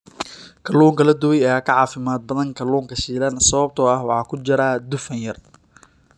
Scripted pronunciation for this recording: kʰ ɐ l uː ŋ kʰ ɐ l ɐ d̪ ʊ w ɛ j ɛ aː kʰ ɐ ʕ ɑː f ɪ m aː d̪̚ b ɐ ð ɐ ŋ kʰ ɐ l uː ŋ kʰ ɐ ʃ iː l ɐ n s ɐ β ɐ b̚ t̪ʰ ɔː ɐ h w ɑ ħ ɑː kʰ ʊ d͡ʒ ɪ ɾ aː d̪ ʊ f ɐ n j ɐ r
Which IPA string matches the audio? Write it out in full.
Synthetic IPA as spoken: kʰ ɐ l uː ŋ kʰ ɐ l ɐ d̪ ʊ w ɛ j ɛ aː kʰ ɐ ʕ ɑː f ɪ m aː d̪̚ b ɐ ð ɐ ŋ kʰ ɐ l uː ŋ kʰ ɐ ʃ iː l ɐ n s ɐ β ɐ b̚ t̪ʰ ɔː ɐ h w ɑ ħ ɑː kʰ ʊ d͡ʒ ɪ ɾ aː d̪ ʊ f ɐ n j ɐ r

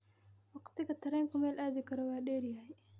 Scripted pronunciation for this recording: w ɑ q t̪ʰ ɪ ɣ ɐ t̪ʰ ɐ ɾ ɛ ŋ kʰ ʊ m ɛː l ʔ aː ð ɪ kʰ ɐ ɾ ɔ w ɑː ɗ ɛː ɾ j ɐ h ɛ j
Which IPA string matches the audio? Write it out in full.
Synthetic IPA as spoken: w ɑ q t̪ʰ ɪ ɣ ɐ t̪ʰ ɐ ɾ ɛ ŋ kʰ ʊ m ɛː l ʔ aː ð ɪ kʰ ɐ ɾ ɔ w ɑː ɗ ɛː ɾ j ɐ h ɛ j

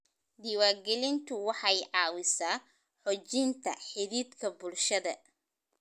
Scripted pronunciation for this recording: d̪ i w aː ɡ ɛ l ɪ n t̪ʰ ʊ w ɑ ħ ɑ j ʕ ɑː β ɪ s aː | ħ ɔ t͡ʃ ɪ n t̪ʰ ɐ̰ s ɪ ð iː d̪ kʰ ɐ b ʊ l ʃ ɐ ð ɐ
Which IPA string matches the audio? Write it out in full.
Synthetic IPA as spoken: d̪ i w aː ɡ ɛ l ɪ n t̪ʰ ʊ w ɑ ħ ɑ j ʕ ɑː w ɪ s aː | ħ ɔ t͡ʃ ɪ n t̪ʰ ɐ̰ ħ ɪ ð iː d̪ kʰ ɐ b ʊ l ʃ ɐ ð ɐ

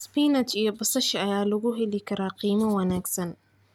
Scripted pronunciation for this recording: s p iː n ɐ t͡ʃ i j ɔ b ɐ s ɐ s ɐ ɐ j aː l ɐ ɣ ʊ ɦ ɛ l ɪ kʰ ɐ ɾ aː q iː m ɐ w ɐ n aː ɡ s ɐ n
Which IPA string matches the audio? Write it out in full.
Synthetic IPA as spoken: s p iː n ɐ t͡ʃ i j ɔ b ɐ s ɐ ʃ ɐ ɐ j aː l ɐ ɣ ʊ ɦ ɛ l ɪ kʰ ɐ ɾ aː q iː m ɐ w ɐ n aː ɡ s ɐ n

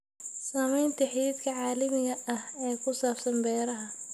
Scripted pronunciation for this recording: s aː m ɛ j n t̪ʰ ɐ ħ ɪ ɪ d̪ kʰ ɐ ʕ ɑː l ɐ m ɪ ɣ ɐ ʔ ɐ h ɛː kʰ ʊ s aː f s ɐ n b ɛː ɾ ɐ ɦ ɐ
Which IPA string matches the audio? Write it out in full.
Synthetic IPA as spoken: s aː m ɛ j n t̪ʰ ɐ ħ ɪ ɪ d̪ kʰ ɐ ʕ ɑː l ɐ m ɪ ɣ ɐ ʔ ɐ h ɛː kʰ ʊ s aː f s ɐ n b ɛː ɾ ɐ ɦ ɐ

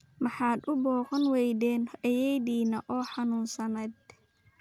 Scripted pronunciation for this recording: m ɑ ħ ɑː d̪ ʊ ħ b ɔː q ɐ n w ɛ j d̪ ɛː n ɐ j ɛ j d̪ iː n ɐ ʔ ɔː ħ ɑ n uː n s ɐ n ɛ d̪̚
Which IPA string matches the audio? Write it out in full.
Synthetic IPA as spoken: m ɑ ħ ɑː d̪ ʊ b ɔː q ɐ n w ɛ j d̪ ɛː n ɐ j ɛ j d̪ iː n ɐ ʔ ɔː ħ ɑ n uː n s ɐ n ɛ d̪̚

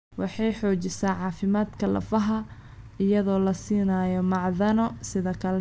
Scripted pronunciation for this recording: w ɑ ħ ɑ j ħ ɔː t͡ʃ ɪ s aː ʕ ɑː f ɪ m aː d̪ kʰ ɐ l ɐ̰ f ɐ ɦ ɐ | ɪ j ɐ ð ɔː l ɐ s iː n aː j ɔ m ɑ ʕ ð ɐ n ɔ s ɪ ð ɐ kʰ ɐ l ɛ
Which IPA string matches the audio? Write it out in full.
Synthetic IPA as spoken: w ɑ ħ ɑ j ħ ɔː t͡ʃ ɪ s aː ʕ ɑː f ɪ m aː d̪ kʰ ɐ l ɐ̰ f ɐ ɦ ɐ | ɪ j ɐ ð ɔː l ɐ s iː n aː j ɔ m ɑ ʕ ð ɐ n ɔ s ɪ ð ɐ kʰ ɐ l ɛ

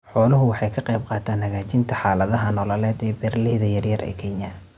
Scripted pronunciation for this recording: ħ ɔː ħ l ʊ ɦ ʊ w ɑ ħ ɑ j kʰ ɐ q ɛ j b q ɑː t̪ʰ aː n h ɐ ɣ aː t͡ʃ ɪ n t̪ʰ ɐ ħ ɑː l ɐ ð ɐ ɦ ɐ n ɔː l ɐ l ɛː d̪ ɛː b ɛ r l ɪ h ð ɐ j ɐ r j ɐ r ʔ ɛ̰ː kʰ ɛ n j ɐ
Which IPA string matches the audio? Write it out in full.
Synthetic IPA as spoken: ħ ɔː l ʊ ɦ ʊ w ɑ ħ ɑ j kʰ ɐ q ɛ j b q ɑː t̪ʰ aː n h ɐ ɣ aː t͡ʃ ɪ n t̪ʰ ɐ ħ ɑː l ɐ ð ɐ ɦ ɐ n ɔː l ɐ l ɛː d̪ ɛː b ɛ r l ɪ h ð ɐ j ɐ r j ɐ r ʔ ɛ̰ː kʰ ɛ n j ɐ

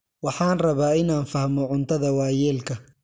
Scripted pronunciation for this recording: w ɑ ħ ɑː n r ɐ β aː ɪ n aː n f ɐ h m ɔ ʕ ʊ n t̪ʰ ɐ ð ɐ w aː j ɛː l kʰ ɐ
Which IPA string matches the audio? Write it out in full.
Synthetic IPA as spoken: w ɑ ħ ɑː n r ɐ β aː ɪ n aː n f ɐ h m ɔ ʕ ʊ n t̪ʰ ɐ ð ɐ w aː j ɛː l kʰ ɐ

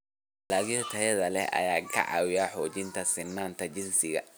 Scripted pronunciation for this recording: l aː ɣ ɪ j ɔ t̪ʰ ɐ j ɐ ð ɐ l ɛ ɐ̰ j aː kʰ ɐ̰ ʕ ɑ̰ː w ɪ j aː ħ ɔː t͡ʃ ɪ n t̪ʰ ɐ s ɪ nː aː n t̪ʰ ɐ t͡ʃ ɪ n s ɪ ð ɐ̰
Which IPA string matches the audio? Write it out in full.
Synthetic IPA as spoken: l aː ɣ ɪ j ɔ t̪ʰ ɐ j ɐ ð ɐ l ɛ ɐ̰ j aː kʰ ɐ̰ ʕ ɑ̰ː w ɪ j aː ħ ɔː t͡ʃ ɪ n t̪ʰ ɐ s ɪ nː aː n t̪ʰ ɐ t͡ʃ ɪ n s ɪ ɣ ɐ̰

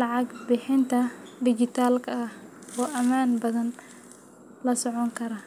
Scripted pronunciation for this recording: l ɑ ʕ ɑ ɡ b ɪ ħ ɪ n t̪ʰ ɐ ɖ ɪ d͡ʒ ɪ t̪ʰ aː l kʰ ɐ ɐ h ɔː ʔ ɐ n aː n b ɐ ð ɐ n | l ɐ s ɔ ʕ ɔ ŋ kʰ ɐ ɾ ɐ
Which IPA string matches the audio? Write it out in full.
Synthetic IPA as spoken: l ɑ ʕ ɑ ɡ b ɪ ħ ɪ n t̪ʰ ɐ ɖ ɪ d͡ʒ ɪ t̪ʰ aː l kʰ ɐ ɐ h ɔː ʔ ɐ m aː n b ɐ ð ɐ n | l ɐ s ɔ ʕ ɔ ŋ kʰ ɐ ɾ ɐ

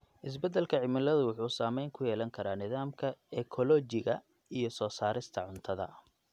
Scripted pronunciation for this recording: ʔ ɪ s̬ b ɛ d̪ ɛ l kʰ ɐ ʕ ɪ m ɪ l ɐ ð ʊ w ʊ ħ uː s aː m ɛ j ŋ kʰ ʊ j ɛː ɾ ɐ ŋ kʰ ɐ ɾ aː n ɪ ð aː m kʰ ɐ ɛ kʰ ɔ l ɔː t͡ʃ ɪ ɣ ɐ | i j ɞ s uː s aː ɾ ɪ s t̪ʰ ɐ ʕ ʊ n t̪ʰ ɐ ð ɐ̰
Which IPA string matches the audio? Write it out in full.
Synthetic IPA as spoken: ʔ ɪ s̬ b ɛ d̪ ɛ l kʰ ɐ ʕ ɪ m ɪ l ɐ ð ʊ w ʊ ħ uː s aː m ɛ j ŋ kʰ ʊ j ɛː l ɐ ŋ kʰ ɐ ɾ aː n ɪ ð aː m kʰ ɐ ɛ kʰ ɔ l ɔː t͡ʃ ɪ ɣ ɐ | i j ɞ s ɔː s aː ɾ ɪ s t̪ʰ ɐ ʕ ʊ n t̪ʰ ɐ ð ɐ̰

